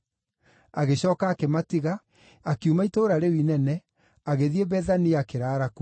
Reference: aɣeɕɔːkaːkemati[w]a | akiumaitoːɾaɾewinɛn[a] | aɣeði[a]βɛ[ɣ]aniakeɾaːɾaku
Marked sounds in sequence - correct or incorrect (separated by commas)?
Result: incorrect, incorrect, incorrect, incorrect